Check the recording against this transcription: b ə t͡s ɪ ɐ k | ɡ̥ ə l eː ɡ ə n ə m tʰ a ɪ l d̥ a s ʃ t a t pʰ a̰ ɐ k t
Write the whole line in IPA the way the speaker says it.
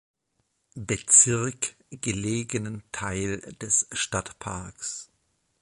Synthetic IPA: b ə t͡s ɪ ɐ k | ɡ̥ ə l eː ɡ ə n ə n tʰ a ɪ l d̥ ɛ s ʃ t a t pʰ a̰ ɐ k s